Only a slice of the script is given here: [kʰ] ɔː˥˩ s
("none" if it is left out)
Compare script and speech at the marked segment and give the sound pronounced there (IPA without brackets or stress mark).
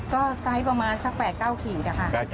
k